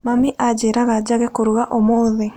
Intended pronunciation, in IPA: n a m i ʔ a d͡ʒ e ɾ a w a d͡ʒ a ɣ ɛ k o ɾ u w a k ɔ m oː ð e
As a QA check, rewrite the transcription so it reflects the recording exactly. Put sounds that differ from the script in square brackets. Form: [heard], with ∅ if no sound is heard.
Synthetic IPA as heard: [m] a m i ʔ a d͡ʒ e ɾ a [ɣ] a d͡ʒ a ɣ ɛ k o ɾ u [ɣ] a [ʔ] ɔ m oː ð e